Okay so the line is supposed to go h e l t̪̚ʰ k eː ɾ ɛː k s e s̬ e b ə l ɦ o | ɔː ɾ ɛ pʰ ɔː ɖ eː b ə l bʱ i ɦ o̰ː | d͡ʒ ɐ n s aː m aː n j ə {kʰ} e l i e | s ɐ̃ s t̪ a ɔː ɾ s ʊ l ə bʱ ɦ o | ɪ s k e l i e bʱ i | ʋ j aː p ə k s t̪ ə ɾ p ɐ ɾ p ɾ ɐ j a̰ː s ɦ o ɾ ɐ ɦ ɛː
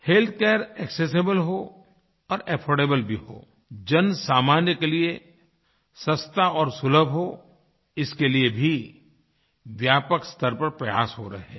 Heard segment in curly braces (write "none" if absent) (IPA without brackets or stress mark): k